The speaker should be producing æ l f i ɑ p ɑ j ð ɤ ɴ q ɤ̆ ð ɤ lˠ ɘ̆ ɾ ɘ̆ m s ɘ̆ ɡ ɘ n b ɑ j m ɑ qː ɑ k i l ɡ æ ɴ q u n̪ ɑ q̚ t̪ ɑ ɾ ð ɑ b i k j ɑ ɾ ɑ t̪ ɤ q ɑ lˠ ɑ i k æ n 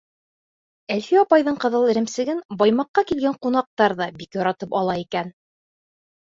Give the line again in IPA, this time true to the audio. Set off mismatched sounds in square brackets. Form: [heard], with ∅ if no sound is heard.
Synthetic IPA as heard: æ l f i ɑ p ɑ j ð ɤ ɴ q ɤ̆ ð ɤ lˠ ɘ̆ ɾ ɘ̆ m s ɘ̆ ɡ ɘ n b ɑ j m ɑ qː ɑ k i l ɡ æ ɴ q u n̪ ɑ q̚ t̪ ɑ ɾ ð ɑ b i k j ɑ ɾ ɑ t̪ ɤ [p] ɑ lˠ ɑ i k æ n